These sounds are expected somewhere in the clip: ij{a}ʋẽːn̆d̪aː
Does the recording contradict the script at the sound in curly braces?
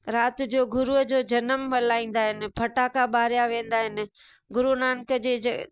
no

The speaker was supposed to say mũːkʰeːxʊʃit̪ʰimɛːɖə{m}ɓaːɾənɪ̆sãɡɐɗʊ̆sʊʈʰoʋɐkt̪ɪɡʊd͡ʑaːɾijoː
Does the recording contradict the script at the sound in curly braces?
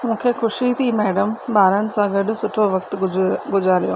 no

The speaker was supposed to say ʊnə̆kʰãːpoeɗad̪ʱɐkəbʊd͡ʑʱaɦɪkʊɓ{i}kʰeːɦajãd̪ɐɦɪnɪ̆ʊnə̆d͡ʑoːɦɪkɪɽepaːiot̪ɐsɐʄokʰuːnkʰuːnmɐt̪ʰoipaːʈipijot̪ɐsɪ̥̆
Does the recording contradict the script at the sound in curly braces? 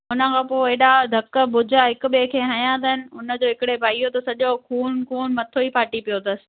yes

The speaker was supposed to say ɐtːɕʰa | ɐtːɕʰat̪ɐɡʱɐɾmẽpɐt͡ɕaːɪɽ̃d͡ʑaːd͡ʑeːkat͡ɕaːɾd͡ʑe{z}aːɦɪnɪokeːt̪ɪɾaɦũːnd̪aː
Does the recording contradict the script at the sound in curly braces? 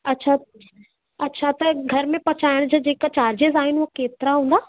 no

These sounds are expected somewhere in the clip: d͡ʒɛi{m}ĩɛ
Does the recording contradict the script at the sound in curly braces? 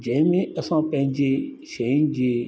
no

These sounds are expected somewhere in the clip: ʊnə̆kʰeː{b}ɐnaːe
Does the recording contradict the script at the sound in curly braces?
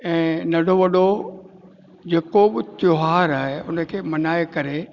yes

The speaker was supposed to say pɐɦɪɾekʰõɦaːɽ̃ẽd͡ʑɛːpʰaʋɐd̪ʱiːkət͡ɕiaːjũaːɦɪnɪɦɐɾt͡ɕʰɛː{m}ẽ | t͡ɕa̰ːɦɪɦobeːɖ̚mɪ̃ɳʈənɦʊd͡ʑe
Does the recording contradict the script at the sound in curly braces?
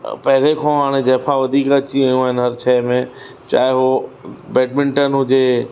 no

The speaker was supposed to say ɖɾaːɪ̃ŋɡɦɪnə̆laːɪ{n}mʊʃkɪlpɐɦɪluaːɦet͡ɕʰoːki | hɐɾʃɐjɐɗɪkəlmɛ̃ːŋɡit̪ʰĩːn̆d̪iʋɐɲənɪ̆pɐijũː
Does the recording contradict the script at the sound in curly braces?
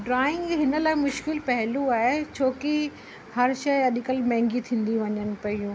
yes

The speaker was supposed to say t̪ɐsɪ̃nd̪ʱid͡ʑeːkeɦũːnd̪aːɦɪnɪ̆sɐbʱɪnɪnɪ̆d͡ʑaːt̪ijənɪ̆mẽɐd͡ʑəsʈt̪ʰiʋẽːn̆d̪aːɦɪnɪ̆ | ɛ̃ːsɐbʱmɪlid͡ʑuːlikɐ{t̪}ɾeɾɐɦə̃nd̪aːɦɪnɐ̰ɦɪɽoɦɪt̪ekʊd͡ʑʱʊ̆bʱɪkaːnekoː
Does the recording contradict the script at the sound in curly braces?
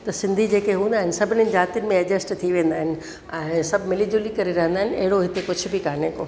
yes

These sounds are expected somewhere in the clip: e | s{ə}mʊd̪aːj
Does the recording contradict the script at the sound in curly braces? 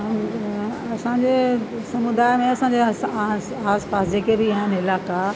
yes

